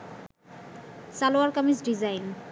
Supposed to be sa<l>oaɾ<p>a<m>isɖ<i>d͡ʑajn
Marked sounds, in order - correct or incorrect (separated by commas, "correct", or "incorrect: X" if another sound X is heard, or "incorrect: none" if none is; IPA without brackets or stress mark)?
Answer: correct, incorrect: k, correct, correct